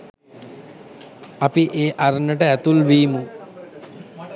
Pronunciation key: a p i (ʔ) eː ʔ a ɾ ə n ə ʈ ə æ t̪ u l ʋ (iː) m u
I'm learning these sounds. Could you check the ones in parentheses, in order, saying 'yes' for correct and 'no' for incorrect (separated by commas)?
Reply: yes, yes